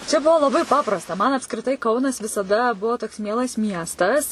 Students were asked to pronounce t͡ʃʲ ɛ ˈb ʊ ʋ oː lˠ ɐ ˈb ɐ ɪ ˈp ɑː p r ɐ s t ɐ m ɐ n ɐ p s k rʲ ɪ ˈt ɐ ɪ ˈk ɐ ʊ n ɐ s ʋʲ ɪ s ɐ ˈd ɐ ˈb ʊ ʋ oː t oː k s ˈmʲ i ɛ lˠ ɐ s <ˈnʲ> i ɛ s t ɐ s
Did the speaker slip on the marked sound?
yes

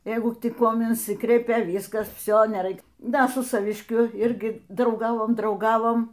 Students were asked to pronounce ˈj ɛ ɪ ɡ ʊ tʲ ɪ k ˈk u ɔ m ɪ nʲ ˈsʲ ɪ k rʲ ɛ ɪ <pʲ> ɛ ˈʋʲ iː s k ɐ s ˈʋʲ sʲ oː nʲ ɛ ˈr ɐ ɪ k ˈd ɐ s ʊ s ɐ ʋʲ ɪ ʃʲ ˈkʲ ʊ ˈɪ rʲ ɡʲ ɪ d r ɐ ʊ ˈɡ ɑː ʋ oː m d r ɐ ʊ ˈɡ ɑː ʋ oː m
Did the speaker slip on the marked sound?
no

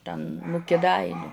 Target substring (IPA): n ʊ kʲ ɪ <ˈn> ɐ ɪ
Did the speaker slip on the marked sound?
yes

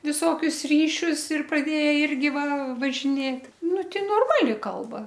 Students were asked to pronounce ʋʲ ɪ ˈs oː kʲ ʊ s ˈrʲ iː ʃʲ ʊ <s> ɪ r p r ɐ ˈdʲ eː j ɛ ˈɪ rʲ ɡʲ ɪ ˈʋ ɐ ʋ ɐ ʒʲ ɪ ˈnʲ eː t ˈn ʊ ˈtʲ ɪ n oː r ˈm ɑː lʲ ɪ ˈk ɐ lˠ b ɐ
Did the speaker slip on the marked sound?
no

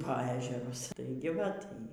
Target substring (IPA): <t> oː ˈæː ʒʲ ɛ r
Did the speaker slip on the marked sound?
yes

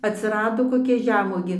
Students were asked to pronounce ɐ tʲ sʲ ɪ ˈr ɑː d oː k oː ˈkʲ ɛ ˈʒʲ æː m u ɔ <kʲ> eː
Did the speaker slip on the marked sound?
yes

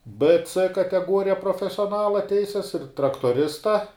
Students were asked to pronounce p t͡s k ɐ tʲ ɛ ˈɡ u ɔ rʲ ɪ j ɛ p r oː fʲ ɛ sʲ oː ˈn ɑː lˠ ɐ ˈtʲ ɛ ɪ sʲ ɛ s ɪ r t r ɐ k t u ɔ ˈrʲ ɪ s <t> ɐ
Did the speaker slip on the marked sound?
no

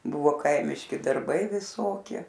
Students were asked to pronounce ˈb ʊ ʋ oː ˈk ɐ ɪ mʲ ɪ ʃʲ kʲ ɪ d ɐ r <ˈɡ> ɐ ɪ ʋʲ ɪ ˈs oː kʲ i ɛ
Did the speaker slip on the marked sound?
yes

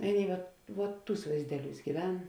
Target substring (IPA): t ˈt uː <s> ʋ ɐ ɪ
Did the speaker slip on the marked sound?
no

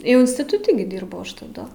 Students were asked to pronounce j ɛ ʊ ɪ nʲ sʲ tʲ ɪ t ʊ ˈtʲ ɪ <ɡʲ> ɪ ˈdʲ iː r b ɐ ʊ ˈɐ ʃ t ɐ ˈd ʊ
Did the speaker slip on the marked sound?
no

